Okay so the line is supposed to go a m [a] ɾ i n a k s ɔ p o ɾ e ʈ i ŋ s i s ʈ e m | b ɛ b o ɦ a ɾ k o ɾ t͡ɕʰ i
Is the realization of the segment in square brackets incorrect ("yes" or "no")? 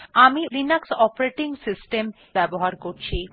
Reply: yes